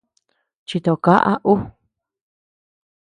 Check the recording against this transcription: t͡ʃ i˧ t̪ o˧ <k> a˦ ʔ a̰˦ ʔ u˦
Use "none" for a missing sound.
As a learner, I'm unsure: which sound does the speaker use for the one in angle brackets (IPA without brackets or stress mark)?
k